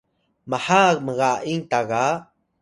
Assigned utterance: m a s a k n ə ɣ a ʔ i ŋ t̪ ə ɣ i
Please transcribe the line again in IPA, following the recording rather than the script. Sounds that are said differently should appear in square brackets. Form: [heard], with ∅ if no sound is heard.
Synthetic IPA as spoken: m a [h] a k [m] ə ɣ a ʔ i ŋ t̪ [a] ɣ [a]